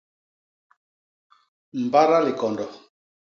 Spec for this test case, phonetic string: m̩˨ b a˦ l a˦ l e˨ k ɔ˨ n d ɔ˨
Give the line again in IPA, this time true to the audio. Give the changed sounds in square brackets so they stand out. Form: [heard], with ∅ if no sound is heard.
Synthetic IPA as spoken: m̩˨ b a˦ [ɾ] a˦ l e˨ k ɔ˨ n d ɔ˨

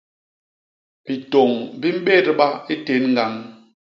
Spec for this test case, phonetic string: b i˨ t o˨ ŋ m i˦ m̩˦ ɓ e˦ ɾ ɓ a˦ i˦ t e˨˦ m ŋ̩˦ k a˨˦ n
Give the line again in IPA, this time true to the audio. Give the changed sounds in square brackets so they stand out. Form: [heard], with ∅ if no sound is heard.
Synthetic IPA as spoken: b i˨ t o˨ ŋ [b] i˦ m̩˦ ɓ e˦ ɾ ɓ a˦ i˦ t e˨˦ [n] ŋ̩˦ [ɡ] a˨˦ [ŋ]

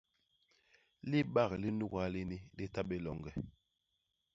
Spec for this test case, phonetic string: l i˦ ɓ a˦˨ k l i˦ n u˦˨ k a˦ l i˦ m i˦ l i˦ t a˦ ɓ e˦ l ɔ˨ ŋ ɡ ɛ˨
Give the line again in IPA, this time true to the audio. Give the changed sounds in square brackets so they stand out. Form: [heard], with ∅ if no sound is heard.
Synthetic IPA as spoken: l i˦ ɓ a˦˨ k l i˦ n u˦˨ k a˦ l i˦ [n] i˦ l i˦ t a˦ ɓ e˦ l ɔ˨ ŋ ɡ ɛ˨

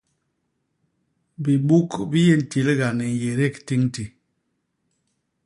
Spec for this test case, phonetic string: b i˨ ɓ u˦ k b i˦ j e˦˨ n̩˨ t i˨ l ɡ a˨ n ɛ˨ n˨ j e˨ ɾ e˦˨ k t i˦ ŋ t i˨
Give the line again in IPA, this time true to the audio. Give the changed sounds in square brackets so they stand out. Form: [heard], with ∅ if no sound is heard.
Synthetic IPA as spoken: b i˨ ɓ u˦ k b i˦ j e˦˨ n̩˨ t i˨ l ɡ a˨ n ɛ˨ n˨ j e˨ ɾ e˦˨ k t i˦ ŋ t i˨

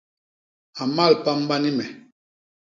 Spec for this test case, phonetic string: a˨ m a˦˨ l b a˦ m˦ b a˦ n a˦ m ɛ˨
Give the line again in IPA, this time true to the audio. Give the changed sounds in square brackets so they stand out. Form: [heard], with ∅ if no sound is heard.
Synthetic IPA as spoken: a˨ m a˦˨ l [p] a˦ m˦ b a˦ n [i˦] m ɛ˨

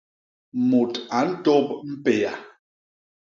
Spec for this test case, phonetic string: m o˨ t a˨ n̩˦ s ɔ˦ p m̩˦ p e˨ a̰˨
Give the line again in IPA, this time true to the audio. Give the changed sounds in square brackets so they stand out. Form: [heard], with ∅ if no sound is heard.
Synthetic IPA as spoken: m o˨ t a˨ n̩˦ [t] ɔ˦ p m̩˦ p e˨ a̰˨

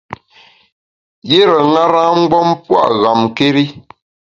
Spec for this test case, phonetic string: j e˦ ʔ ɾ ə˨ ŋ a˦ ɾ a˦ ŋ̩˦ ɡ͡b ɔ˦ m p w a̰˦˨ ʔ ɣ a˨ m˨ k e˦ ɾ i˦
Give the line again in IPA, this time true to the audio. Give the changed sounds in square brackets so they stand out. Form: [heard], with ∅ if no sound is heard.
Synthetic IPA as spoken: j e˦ [∅] ɾ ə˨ ŋ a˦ ɾ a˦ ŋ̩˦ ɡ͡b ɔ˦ m p w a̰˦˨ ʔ ɣ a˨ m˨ k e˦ ɾ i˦

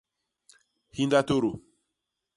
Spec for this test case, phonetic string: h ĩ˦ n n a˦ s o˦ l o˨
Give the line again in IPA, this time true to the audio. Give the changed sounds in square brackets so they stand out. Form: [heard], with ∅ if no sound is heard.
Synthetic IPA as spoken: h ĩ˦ n [d] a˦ [t] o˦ [ɾ] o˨

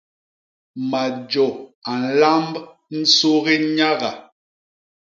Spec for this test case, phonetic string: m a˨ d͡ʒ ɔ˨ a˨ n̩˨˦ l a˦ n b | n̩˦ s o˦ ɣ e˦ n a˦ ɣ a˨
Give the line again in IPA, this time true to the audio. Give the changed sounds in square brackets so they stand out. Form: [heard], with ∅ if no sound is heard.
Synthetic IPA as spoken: m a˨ d͡ʒ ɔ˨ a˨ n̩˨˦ l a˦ [m] b | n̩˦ s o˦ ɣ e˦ [ɲ] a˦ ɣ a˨

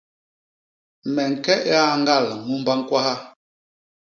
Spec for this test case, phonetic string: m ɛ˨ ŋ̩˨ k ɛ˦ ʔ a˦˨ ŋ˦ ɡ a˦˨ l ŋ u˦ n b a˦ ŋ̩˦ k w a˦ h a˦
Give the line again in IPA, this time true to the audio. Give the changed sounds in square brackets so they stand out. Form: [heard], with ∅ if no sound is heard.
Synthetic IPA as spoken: m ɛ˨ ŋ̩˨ k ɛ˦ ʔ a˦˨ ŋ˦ ɡ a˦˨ l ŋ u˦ [m] b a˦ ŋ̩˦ k w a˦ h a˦

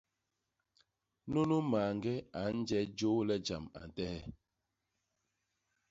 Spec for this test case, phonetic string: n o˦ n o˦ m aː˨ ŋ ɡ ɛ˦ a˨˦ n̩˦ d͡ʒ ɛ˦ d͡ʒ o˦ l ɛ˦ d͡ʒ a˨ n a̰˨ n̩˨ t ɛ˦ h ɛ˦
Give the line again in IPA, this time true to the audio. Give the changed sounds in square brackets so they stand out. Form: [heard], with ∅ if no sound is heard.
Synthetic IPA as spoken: n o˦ n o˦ m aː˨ ŋ ɡ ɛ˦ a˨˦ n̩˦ d͡ʒ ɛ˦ d͡ʒ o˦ l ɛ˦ d͡ʒ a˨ [m] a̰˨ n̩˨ t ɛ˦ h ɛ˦

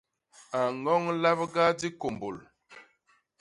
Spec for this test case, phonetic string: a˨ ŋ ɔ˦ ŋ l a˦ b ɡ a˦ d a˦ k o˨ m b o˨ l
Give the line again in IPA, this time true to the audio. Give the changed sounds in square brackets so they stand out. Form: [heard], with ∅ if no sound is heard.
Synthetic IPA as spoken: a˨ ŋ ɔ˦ ŋ l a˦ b ɡ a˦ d [i˦] k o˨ m b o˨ l

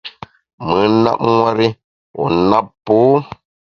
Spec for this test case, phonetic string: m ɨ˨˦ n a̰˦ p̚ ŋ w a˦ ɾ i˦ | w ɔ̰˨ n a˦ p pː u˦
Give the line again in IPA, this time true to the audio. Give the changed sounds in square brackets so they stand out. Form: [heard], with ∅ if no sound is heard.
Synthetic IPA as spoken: m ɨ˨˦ n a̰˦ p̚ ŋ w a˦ ɾ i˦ | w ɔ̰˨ n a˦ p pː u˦

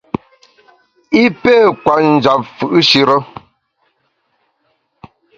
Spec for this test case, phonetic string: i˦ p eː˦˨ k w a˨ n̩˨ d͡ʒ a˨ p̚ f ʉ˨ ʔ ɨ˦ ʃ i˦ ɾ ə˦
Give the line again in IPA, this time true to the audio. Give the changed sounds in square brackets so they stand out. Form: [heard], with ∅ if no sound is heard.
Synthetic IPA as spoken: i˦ p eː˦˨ k w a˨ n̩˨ d͡ʒ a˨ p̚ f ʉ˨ ʔ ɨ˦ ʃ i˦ ɾ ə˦

